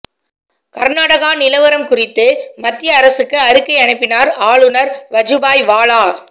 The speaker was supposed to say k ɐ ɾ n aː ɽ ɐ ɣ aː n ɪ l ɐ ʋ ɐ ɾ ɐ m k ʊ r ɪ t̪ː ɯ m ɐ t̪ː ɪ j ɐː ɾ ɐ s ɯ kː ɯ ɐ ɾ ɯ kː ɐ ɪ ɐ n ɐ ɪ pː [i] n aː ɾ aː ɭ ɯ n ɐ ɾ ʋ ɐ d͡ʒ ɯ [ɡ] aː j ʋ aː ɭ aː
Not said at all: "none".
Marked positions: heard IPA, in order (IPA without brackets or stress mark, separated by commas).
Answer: ɪ, b